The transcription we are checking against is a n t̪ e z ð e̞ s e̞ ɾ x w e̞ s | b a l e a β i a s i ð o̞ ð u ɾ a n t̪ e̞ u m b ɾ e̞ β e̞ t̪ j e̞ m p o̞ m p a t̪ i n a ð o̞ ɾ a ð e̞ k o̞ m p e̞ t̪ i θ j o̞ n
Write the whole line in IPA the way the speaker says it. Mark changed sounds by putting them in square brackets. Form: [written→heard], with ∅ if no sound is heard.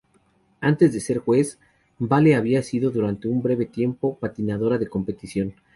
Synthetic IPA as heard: a n t̪ e z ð e̞ s e̞ ɾ x w e̞ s | b a l e a β i a s i ð o̞ ð u ɾ a n t̪ e̞ u m b ɾ e̞ β e̞ t̪ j e̞ m p o̞ [m→∅] p a t̪ i n a ð o̞ ɾ a ð e̞ k o̞ m p e̞ t̪ i [θ→s] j o̞ n